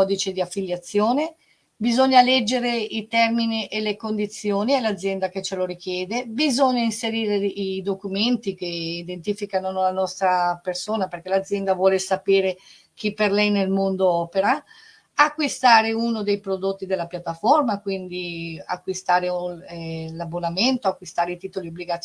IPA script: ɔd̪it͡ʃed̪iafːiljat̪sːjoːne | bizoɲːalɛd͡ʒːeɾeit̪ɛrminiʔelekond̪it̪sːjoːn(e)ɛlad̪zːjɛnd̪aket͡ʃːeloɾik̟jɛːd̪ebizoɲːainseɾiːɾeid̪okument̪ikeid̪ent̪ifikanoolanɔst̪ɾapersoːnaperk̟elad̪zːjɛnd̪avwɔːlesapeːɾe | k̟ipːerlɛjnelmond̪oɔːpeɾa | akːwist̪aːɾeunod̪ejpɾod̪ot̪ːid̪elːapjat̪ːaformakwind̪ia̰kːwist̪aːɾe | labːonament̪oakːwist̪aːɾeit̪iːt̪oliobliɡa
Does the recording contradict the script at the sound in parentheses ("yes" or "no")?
yes